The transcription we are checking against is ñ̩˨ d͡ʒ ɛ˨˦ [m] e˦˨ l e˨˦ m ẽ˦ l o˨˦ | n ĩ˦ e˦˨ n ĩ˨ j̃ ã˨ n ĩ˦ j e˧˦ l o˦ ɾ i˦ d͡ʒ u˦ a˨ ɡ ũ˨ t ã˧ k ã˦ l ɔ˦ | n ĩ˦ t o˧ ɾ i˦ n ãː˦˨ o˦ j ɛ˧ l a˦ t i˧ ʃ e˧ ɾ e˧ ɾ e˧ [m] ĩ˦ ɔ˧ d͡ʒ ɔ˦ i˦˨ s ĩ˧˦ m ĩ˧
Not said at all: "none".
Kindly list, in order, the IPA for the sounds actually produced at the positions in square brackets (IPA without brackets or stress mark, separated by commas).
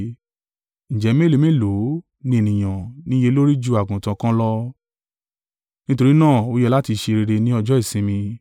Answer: m, n